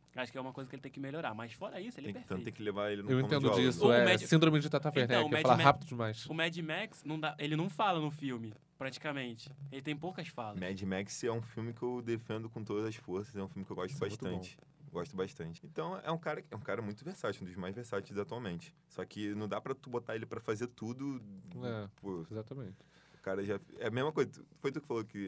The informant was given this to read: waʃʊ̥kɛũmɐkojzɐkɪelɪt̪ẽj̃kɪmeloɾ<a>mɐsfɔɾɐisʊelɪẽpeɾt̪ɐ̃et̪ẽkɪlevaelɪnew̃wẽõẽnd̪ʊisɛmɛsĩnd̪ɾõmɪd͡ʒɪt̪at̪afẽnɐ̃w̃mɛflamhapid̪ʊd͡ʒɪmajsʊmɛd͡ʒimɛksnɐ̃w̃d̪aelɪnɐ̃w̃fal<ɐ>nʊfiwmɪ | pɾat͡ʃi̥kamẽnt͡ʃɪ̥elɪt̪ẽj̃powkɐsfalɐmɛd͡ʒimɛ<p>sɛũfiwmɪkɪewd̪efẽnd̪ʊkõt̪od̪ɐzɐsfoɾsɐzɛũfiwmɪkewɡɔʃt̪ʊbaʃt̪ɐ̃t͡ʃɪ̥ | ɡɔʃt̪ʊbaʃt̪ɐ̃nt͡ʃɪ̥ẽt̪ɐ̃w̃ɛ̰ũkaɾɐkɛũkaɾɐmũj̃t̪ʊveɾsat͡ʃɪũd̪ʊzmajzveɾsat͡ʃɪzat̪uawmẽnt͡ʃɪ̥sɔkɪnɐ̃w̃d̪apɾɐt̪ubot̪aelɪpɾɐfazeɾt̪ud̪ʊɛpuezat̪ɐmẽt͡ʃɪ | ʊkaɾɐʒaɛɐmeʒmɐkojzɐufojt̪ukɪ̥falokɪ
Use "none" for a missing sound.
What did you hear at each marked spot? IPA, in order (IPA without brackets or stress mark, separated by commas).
a, ɐ, k